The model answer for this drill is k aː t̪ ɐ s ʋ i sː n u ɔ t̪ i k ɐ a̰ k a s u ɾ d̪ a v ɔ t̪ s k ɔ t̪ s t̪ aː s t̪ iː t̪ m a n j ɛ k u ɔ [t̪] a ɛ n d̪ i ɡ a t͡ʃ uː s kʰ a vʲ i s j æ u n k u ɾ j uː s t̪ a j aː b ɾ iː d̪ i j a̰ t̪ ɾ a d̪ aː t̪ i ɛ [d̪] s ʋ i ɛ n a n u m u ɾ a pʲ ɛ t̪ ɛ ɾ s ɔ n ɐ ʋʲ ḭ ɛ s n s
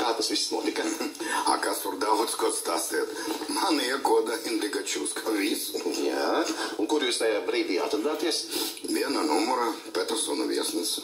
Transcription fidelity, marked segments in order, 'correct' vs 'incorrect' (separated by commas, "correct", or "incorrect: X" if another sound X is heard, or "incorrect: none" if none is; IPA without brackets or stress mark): incorrect: d̪, incorrect: none